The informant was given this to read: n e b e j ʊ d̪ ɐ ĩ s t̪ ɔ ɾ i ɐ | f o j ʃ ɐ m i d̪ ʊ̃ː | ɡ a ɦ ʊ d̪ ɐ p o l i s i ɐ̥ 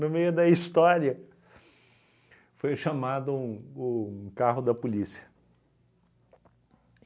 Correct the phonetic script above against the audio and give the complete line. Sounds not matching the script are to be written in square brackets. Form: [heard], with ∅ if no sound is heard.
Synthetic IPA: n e [m] e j ʊ d̪ ɐ [i] s t̪ ɔ ɾ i ɐ | f o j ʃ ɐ m [a] d̪ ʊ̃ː | [k] a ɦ ʊ d̪ ɐ p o l i s i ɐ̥